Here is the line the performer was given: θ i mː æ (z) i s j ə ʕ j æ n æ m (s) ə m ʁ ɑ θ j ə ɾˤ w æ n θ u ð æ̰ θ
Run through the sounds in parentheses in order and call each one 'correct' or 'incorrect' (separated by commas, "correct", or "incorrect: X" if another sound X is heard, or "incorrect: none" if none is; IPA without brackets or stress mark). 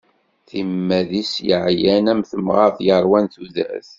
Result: incorrect: ð, incorrect: θ